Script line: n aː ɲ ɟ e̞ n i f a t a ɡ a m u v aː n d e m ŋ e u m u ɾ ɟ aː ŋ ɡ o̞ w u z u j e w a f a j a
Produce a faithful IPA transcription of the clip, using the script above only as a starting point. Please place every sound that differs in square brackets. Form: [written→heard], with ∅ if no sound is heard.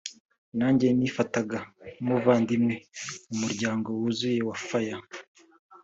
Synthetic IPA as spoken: n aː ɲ ɟ e̞ n i f a t a ɡ a m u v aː n d [e→i] m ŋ e u m u ɾ ɟ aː ŋ ɡ o̞ w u z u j e w a f a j a